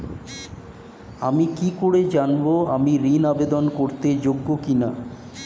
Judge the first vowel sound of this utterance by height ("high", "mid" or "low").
low